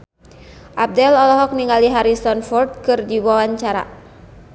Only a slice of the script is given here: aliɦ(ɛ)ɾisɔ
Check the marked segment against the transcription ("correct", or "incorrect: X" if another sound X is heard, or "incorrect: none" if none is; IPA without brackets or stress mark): incorrect: a